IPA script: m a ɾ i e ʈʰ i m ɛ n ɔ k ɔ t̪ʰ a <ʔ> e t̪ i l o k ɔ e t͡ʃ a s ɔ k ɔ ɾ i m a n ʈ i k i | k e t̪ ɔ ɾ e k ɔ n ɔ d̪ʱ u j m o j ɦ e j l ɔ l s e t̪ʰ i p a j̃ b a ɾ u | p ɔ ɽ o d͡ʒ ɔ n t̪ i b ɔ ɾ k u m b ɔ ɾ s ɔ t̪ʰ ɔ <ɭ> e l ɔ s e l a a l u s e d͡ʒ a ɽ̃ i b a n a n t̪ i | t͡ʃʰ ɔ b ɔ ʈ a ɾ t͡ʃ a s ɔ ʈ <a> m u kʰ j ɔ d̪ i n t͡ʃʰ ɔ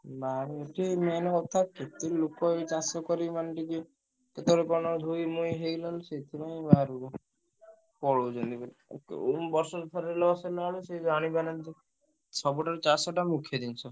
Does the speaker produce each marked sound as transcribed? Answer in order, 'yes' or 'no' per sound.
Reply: no, no, yes

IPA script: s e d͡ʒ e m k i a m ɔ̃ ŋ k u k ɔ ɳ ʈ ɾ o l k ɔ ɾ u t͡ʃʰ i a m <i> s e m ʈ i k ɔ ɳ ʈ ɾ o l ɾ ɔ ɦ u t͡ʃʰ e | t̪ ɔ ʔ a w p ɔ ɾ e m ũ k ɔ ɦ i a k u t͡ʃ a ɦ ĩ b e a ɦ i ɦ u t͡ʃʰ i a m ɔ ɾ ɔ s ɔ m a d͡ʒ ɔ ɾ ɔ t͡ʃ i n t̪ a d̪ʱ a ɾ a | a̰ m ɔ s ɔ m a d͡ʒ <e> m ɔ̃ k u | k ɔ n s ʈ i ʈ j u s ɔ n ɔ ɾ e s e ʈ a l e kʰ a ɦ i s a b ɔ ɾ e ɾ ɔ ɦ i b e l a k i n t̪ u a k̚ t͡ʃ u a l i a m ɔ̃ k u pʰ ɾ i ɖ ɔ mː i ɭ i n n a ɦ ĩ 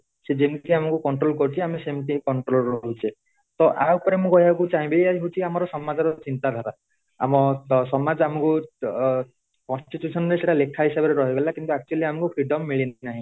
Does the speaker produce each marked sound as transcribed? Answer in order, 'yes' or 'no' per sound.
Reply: no, no

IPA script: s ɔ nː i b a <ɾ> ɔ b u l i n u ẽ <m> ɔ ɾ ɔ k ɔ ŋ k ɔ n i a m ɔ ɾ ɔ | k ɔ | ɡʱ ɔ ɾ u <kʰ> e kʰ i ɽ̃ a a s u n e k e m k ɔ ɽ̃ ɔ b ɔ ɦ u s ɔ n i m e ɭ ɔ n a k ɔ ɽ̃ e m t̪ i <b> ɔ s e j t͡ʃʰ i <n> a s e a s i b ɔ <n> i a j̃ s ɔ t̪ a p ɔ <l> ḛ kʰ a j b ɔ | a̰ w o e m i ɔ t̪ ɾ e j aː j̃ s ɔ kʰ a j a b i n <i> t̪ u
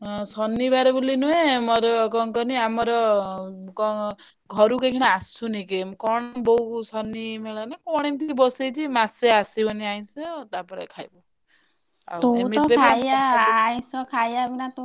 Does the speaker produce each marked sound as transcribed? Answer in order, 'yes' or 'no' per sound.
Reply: yes, yes, no, yes, no, yes, no, no

